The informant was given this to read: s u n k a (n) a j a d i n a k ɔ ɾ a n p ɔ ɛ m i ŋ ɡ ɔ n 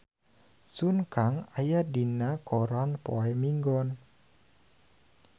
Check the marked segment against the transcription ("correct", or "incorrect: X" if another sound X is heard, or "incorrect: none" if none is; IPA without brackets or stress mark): incorrect: ŋ